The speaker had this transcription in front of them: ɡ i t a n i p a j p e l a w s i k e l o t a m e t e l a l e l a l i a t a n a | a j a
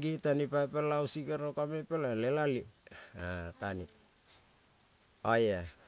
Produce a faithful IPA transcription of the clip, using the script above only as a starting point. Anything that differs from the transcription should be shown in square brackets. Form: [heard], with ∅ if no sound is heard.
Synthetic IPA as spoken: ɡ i t a n i p a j p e l a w s i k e [ɾ] o [k] a m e [p] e l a l e l a l i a t a n [i] | a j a